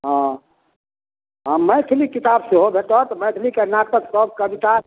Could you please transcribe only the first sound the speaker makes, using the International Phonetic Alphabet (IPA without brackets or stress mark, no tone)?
ɦ